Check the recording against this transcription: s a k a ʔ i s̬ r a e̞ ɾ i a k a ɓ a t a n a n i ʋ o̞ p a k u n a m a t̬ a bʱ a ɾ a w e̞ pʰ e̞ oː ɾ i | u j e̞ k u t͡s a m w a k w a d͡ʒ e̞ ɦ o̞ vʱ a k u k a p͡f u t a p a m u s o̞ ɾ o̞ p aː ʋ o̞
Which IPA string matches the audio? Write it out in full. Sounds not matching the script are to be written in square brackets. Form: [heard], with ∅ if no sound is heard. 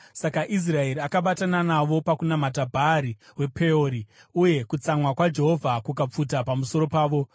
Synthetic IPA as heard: s a k a ʔ i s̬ r a e̞ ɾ i a k a ɓ a t a n a n [a] ʋ o̞ p a k u n a m a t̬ a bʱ a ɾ [i] w e̞ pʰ e̞ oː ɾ i | u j e̞ k u t͡s a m w a k w a d͡ʒ e̞ ɦ o̞ vʱ a k u k a p͡f u t a p a m u s o̞ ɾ o̞ p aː ʋ o̞